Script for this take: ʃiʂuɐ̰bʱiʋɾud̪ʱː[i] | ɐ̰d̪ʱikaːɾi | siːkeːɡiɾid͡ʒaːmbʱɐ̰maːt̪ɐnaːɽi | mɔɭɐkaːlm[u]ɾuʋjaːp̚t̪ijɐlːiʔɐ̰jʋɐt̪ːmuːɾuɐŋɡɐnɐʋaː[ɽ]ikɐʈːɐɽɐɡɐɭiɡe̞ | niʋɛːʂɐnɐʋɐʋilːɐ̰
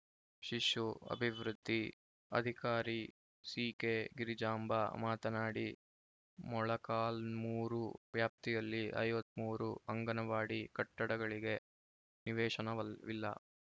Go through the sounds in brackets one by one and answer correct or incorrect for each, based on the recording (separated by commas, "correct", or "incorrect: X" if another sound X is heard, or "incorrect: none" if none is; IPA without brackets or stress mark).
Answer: correct, incorrect: uː, correct